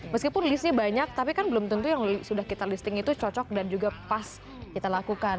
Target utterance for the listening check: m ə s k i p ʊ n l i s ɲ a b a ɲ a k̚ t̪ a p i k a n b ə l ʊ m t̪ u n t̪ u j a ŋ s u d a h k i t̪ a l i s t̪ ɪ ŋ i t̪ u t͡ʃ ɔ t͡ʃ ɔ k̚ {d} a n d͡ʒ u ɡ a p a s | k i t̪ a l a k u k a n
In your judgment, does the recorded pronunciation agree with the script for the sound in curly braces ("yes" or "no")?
yes